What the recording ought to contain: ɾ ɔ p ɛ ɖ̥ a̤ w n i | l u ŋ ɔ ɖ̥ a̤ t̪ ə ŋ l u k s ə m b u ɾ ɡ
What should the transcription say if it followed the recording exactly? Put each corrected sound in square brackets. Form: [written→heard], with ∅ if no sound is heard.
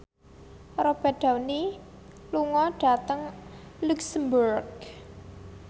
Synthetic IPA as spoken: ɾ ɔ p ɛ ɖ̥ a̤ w n i | l u ŋ ɔ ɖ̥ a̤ t̪ ə ŋ l u k s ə m b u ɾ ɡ